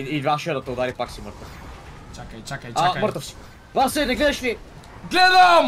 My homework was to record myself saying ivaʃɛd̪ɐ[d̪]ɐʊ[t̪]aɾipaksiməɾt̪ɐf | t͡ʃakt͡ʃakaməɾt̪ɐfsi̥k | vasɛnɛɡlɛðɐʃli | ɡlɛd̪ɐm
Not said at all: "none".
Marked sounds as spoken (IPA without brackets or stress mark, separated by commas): t̪, d̪